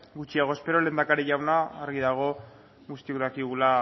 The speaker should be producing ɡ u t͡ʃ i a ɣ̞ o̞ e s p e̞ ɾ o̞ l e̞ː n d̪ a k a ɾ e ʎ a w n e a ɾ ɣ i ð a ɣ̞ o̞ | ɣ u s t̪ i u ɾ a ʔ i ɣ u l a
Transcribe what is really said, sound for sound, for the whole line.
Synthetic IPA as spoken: ɡ u t͡ʃ i a ɣ̞ o̞ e s p e̞ ɾ o̞ l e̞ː n d̪ a k a ɾ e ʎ a w n a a ɾ ɣ i ð a ɣ̞ o̞ | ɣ u s t̪ i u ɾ a k i ɣ u l a